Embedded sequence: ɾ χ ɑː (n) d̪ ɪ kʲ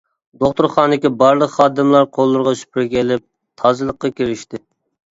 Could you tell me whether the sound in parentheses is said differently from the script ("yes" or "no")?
no